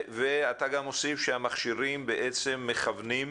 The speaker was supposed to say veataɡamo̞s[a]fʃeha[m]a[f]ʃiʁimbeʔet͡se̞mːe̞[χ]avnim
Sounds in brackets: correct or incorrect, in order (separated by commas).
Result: incorrect, correct, incorrect, correct